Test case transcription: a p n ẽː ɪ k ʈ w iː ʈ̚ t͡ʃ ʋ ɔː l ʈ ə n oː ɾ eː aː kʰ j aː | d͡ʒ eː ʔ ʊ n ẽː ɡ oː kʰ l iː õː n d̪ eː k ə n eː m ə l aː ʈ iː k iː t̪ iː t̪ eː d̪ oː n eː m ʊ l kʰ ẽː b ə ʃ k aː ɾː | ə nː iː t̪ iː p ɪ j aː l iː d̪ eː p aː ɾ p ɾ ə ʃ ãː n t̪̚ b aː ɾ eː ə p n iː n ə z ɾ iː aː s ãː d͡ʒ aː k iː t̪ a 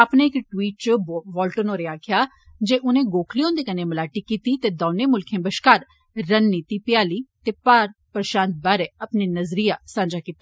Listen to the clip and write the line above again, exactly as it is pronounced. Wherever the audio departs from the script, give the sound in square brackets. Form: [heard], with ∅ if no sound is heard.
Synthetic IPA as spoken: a p n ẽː ɪ k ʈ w iː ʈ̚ t͡ʃ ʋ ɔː l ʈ ə n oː ɾ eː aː kʰ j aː | d͡ʒ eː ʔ ʊ n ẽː ɡ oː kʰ l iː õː n d̪ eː k ə n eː m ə l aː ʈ iː k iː t̪ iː t̪ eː d̪ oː n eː m ʊ l kʰ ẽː b ə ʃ k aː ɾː | ə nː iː t̪ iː p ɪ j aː l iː [t̪] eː p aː ɾ p ɾ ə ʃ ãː n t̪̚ b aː ɾ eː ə p n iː n ə z ɾ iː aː s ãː d͡ʒ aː k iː t̪ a